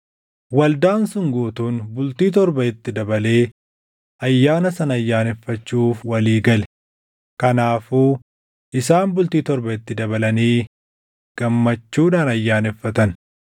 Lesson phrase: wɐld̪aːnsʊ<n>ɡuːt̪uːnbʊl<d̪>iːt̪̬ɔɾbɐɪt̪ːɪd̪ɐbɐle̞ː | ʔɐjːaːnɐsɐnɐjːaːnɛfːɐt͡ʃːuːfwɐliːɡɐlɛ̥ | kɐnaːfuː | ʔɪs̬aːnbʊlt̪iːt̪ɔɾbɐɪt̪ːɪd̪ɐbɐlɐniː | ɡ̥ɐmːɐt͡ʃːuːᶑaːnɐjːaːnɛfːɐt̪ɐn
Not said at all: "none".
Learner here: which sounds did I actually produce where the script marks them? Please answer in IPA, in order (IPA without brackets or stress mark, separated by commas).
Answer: ŋ, t̪